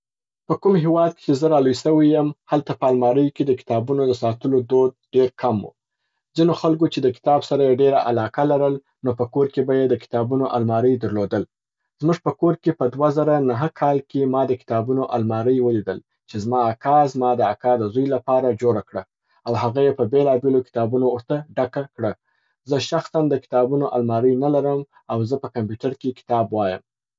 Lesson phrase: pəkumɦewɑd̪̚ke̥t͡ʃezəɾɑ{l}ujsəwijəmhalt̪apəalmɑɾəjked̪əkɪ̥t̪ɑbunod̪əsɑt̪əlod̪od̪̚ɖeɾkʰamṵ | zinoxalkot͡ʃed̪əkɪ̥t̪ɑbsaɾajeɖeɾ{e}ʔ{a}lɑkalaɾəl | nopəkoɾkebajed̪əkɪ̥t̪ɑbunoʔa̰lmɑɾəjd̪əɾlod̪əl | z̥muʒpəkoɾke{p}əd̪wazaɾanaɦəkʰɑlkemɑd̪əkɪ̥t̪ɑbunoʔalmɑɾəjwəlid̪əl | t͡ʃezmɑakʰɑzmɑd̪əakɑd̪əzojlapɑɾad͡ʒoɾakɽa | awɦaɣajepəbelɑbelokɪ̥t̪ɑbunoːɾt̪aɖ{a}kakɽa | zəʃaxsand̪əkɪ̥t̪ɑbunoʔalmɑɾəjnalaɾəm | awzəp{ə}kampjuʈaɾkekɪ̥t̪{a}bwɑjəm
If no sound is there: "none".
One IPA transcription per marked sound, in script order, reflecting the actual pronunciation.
l, a, a, p, a, ə, ɑ

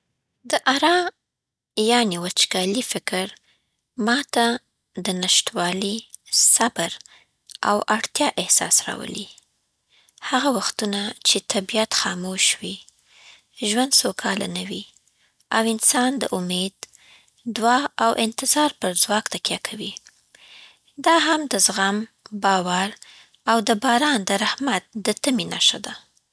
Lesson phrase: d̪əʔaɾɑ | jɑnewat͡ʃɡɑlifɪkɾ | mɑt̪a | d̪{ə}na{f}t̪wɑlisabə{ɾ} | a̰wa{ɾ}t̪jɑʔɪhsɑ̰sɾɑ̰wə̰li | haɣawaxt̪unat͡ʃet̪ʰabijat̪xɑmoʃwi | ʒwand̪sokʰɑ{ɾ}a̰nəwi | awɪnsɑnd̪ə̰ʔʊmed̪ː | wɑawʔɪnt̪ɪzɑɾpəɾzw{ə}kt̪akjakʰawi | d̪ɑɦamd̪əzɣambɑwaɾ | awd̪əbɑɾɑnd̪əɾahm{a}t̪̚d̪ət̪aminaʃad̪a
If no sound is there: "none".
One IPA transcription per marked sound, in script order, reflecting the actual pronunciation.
ə, ʃ, ɾ, ɽ, l, ɑ, a

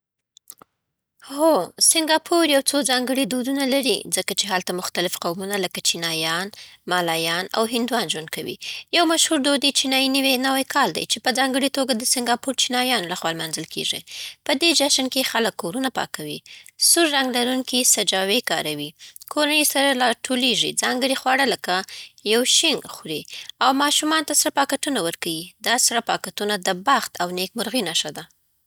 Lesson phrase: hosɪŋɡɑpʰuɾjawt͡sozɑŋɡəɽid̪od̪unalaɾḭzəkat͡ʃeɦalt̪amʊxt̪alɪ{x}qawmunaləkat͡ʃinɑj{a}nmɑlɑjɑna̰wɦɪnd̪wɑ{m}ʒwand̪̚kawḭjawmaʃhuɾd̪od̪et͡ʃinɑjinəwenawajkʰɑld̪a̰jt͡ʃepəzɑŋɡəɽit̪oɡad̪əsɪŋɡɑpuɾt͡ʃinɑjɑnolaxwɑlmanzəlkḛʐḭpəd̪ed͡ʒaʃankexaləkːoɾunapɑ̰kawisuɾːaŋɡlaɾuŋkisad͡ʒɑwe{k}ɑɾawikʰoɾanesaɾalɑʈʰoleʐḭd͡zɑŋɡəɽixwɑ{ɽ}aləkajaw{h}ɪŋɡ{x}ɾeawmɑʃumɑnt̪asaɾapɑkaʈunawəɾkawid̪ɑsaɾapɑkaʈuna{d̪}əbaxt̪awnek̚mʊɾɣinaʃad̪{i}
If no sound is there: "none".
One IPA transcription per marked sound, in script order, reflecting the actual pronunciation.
f, ɑ, n, k, ɽ, ʃ, x, d̪, a

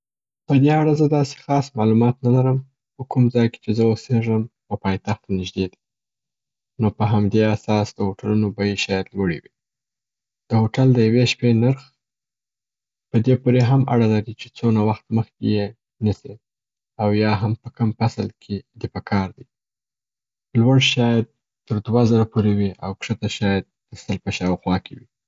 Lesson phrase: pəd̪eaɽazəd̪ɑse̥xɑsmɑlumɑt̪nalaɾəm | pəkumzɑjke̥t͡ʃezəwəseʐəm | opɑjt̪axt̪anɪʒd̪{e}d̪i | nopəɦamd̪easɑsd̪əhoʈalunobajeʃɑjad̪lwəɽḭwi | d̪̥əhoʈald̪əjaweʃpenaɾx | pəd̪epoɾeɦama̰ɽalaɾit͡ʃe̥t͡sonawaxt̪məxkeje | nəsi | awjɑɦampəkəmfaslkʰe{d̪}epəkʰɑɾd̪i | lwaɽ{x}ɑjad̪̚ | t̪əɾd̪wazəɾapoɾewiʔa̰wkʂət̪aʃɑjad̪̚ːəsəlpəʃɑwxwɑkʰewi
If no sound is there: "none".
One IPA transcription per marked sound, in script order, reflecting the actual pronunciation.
e, d̪, ʃ

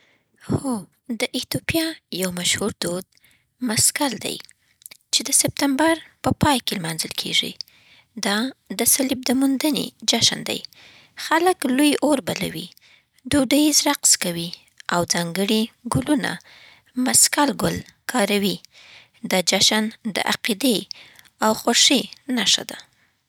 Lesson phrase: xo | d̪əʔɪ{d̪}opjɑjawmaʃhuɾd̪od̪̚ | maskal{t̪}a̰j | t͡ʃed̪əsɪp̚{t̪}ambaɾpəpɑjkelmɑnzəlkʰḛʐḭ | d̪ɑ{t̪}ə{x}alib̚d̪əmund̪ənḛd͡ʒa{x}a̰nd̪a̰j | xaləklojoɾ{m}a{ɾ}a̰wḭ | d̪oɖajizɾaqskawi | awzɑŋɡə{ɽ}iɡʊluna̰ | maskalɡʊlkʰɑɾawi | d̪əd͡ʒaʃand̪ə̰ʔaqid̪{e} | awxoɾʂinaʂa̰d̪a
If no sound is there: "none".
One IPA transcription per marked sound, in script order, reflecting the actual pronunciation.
t̪, d̪, t̪, d̪, s, ʃ, b, l, ɽ, e

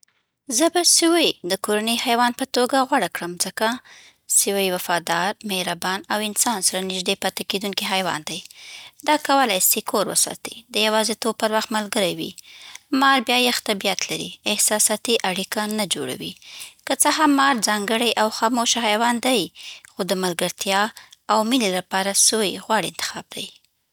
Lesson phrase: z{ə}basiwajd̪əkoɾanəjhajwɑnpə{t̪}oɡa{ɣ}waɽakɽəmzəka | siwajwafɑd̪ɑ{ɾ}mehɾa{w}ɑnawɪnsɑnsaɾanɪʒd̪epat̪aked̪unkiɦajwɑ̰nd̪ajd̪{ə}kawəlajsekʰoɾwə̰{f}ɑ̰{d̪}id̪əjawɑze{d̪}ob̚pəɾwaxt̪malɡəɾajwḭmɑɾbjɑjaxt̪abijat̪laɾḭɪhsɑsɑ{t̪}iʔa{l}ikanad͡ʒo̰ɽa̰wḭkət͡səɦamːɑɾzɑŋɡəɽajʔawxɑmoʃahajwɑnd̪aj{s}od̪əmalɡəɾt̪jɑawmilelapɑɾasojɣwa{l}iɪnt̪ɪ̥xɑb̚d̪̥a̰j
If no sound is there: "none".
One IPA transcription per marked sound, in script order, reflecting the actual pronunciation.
ə, t̪, ɣ, ɾ, b, ɑ, s, t̪, t̪, t̪, ɽ, x, ɽ

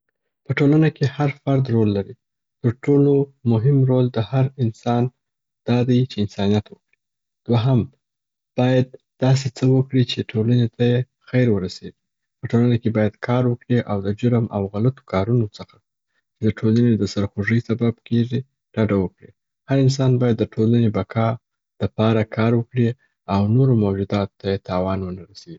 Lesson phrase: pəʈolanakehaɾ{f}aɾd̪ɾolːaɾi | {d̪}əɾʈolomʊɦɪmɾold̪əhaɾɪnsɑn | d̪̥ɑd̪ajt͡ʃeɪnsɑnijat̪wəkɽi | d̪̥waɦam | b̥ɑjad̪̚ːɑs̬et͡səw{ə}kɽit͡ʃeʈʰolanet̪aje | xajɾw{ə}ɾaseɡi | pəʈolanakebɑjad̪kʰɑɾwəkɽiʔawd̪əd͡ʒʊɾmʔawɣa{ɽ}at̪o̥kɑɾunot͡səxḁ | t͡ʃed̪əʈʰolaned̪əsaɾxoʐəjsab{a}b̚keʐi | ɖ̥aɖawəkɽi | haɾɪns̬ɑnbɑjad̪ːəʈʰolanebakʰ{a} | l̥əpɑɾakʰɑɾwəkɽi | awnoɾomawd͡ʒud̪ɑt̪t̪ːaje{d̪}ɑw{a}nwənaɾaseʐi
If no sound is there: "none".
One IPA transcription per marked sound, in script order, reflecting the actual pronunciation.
f, t̪, ə, ə, l, a, ɑ, t̪, ɑ

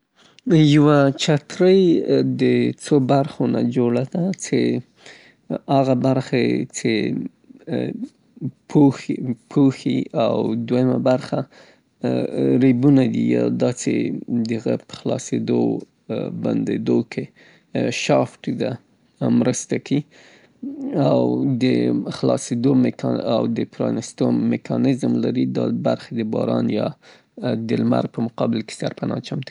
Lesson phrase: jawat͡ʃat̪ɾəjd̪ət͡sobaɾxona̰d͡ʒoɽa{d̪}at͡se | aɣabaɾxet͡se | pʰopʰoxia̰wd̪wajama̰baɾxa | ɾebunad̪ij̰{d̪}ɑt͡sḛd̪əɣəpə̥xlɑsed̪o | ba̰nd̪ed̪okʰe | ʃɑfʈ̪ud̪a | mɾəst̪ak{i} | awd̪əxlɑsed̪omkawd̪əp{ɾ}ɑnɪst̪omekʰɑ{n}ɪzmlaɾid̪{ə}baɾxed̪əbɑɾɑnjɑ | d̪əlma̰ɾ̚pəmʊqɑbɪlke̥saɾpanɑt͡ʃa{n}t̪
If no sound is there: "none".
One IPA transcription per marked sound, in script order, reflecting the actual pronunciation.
d̪, d̪, i, ɾ, n, ɑ, m

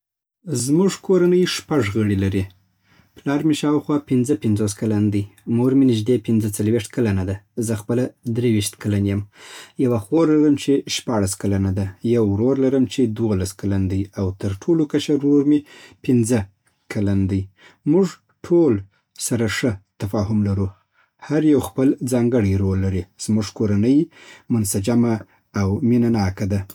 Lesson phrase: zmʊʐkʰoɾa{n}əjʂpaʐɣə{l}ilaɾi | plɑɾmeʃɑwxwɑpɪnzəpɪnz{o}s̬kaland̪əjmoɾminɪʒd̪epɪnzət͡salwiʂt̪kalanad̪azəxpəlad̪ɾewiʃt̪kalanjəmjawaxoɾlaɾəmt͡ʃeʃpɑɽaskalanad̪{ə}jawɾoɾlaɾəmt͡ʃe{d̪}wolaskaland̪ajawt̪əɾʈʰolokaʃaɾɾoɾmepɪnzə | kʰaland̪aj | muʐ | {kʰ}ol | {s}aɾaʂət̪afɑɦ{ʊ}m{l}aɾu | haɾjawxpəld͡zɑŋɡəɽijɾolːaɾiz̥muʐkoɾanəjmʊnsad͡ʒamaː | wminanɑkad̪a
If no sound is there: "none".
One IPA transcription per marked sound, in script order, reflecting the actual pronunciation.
n, ɽ, o, a, d̪, ʈʰ, s, ʊ, l

